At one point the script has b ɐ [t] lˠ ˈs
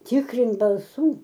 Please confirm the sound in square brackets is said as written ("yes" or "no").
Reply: no